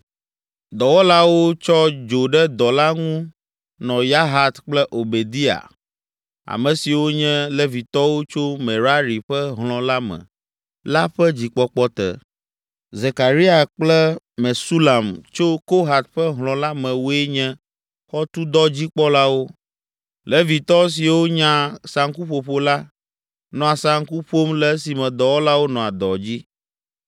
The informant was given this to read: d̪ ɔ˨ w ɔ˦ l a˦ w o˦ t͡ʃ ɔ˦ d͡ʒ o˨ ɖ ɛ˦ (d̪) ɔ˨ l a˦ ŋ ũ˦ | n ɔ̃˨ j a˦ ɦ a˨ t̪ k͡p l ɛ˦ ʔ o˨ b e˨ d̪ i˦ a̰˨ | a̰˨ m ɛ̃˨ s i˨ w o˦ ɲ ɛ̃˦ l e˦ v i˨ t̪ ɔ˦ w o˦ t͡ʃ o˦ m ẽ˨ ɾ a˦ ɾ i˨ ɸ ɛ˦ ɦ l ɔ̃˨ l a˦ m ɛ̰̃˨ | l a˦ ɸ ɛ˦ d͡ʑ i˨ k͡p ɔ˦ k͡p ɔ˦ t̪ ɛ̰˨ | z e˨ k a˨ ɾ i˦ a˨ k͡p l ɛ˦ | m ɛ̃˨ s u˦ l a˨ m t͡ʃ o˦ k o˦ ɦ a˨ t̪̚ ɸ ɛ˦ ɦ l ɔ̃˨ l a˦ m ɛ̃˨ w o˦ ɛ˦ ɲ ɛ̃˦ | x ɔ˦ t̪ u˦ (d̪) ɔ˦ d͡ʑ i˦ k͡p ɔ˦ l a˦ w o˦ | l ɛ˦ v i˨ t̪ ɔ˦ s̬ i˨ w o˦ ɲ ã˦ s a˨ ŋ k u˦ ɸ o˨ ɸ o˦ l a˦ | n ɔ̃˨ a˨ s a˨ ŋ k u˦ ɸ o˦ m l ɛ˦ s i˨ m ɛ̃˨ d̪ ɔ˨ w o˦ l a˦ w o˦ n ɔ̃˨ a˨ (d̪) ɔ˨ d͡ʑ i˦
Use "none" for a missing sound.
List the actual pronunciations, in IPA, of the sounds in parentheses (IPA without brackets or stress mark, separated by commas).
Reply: d̪, d̪, d̪